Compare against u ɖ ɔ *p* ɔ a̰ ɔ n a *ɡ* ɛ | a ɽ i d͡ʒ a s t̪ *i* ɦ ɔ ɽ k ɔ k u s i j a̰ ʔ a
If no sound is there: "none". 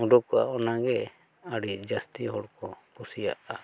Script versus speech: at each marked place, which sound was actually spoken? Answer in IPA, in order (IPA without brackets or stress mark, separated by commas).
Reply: k, ɡ, i